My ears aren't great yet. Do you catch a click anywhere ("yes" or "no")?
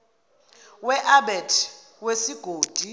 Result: no